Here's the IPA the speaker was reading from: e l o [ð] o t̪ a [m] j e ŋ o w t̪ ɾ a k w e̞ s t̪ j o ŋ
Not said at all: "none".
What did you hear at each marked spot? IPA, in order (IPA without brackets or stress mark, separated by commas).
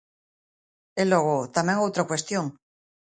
ɣ, m